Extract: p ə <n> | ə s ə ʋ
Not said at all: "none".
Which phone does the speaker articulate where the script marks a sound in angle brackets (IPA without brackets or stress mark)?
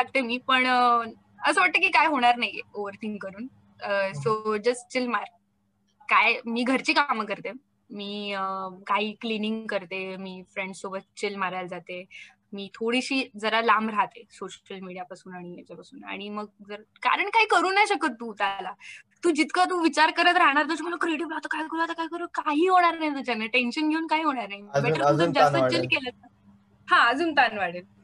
ɳ